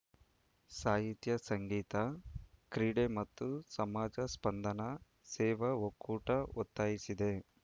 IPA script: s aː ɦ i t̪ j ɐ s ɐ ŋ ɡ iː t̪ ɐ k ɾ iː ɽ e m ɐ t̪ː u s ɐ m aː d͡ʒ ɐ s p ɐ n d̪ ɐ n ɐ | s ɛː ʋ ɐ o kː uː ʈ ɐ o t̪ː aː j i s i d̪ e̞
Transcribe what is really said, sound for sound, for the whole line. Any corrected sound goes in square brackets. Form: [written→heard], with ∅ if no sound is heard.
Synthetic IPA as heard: s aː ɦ i t̪ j ɐ s ɐ ŋ ɡ iː t̪ ɐ k ɾ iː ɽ e m ɐ t̪ː u s ɐ m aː d͡ʒ ɐ s p ɐ n d̪ ɐ n ɐ | s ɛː ʋ ɐ o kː uː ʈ ɐ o t̪ː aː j i s i d̪ e̞